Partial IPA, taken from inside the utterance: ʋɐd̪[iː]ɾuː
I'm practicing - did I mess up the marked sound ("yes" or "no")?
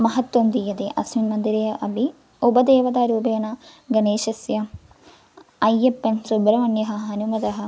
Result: yes